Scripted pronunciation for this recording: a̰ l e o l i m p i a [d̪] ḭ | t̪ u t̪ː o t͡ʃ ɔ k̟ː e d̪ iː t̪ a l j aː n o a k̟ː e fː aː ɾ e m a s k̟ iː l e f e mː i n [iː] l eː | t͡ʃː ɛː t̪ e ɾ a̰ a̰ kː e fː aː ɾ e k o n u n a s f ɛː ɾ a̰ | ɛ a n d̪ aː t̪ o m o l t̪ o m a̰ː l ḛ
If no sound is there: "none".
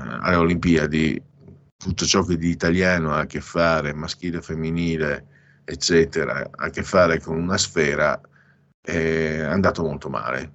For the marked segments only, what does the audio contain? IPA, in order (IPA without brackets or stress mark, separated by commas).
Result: d̪, iː